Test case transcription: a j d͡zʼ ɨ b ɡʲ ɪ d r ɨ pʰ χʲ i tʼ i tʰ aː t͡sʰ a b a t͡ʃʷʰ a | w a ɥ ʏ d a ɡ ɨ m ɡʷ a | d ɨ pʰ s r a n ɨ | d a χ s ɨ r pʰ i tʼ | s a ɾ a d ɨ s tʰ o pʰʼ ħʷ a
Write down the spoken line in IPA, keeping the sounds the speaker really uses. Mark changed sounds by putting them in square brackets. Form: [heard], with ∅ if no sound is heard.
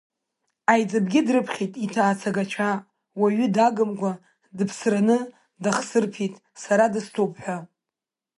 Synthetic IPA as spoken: a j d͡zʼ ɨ b ɡʲ ɪ d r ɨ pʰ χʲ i tʼ i tʰ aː t͡sʰ a [ɡ] a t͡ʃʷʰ a | w a ɥ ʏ d a ɡ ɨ m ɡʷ a | d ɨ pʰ s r a n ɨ | d a χ s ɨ r pʰ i tʼ | s a ɾ a d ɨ s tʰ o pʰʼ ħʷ a